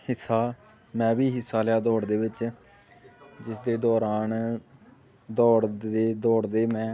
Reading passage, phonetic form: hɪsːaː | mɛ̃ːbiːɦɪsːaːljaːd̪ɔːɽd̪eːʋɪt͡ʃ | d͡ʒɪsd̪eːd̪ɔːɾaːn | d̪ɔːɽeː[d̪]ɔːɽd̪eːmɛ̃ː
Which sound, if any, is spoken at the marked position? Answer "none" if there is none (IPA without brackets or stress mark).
d̪